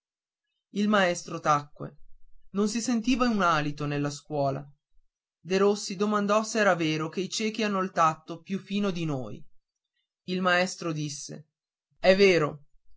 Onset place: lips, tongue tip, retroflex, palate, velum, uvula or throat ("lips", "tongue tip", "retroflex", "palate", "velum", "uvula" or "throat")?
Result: tongue tip